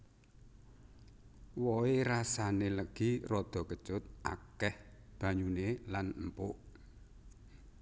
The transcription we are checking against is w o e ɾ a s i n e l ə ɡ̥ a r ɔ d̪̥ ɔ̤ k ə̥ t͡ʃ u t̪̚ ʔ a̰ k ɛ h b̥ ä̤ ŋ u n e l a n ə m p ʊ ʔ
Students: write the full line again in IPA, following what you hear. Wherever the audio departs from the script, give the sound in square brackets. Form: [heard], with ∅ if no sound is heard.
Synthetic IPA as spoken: w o e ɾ a s [a] n e l ə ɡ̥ [i] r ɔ d̪̥ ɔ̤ k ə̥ t͡ʃ [ʊ] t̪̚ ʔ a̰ k ɛ h b̥ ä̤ [ɲ] u n e l a n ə m p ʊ ʔ